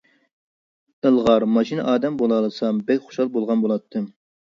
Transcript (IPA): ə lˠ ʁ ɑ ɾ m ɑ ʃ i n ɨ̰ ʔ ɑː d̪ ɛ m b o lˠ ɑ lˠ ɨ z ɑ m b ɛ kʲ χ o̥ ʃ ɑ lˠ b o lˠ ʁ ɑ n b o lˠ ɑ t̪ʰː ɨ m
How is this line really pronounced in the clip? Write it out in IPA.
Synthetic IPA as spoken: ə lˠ ʁ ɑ ɾ m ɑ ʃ i n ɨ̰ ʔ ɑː d̪ ɛ m b o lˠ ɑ lˠ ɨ s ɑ m b ɛ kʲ χ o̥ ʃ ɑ lˠ b o lˠ ʁ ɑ n b o lˠ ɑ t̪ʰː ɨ m